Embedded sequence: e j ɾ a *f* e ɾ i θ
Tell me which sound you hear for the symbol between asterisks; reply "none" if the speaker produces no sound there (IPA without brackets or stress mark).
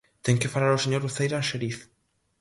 ʃ